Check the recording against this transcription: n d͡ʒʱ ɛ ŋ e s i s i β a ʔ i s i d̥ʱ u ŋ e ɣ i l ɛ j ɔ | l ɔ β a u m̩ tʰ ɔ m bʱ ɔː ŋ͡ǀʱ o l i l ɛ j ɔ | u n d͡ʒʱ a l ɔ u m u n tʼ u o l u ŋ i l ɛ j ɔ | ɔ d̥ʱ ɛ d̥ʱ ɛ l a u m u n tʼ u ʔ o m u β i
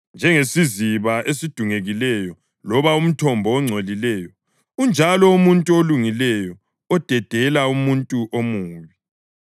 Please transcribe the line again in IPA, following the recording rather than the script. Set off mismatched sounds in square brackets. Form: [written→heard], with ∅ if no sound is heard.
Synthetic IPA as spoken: n d͡ʒʱ ɛ ŋ e s i [s→z] i β a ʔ [i→e] s i d̥ʱ u ŋ e ɣ i l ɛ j ɔ | l ɔ β a u m̩ tʰ ɔ m bʱ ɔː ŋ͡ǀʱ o l i l ɛ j ɔ | u n d͡ʒʱ a l ɔ u m u n tʼ u o l u ŋ i l ɛ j ɔ | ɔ d̥ʱ ɛ d̥ʱ ɛ l a u m u n tʼ u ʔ o m [u→uː] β i